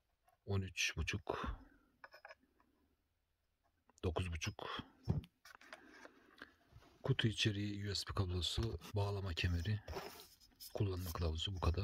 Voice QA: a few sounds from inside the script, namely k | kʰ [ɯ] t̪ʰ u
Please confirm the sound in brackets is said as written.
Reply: no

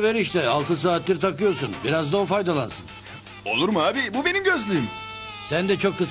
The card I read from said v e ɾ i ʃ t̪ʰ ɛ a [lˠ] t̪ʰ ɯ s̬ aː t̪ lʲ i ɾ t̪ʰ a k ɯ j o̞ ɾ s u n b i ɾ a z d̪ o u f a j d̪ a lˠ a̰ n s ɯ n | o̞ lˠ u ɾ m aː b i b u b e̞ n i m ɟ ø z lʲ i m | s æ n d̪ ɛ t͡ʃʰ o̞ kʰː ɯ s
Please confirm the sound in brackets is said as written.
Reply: yes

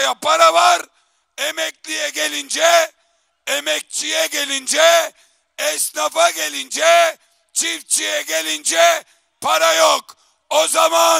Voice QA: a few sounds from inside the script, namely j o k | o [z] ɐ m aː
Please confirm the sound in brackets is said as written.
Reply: yes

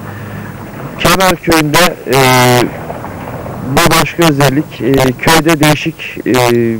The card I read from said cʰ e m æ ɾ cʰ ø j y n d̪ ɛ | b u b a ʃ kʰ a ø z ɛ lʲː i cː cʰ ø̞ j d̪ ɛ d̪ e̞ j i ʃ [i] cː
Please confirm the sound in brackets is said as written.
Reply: yes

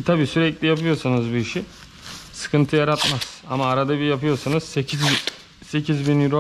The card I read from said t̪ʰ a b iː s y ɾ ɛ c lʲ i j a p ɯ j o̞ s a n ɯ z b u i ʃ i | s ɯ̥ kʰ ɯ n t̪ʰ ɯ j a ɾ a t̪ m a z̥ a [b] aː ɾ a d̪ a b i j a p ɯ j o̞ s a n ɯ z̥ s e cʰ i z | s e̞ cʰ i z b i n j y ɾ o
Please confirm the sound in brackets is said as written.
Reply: no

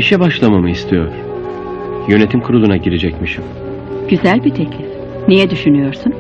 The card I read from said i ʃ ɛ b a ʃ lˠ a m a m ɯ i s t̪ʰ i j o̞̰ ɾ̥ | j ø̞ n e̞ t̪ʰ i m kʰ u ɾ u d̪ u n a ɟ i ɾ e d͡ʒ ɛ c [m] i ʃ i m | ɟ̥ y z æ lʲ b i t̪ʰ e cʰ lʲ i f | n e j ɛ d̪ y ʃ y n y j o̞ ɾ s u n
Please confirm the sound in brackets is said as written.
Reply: yes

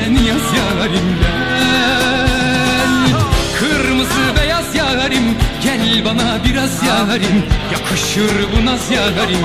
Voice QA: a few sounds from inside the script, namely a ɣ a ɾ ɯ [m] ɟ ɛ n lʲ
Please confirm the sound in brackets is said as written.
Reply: yes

